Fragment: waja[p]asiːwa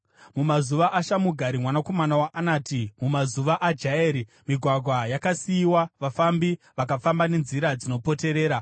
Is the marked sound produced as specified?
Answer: no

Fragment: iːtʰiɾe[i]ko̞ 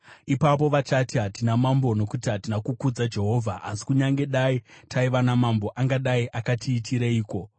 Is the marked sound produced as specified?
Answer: no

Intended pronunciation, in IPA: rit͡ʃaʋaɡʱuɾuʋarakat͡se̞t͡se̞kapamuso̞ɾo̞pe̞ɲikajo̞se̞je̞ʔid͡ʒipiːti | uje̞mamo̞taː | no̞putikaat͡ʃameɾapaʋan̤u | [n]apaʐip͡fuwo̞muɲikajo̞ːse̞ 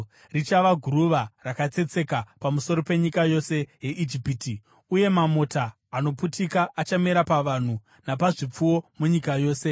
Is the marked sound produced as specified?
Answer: yes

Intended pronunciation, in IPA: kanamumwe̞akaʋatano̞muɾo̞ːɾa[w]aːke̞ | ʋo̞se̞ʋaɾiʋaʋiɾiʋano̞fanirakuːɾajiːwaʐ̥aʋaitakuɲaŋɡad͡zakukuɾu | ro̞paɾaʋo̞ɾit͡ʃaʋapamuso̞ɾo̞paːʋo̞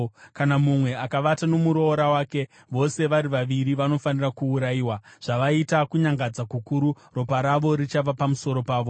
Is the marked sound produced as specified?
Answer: yes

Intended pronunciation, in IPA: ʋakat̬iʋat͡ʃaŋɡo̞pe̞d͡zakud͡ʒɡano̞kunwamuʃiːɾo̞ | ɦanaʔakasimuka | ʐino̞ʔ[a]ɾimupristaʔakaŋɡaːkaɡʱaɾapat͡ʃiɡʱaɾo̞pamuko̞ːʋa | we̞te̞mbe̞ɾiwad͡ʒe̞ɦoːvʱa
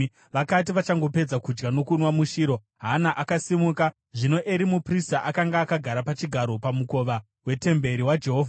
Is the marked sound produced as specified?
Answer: no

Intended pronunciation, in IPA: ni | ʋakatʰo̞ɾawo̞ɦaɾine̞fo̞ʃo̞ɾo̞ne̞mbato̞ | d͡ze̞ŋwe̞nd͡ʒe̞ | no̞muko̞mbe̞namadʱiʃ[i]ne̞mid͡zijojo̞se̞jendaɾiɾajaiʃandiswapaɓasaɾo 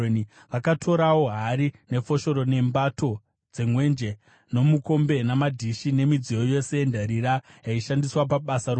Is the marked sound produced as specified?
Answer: yes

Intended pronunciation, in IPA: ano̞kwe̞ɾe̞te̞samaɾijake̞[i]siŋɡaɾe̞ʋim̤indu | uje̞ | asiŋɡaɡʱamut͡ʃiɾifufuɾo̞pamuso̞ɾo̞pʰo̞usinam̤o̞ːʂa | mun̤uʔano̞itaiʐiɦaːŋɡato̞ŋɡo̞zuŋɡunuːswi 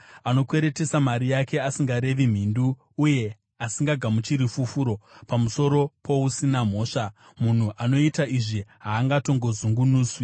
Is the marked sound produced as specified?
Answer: no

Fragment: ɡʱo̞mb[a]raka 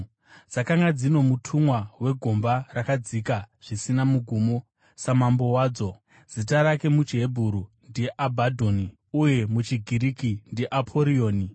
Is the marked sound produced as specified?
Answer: yes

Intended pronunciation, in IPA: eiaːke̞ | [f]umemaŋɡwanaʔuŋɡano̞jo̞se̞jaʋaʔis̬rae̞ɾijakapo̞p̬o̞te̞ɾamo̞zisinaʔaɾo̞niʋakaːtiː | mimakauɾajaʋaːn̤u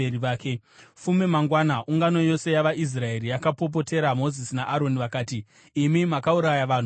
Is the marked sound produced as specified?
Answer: yes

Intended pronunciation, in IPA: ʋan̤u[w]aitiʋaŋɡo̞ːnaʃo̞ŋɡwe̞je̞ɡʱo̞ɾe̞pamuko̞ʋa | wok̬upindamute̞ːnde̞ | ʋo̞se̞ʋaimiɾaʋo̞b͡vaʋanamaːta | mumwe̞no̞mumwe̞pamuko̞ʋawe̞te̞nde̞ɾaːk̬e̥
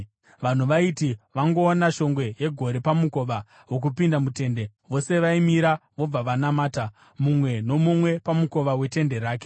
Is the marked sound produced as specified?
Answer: no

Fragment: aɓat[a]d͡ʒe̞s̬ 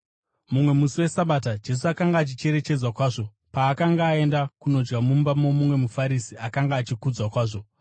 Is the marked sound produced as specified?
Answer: yes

